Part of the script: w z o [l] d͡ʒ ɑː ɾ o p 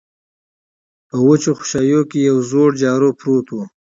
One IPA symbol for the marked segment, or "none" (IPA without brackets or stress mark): ɽ